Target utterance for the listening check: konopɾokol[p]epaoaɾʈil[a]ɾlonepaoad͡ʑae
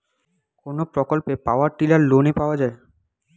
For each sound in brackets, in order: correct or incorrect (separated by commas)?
correct, correct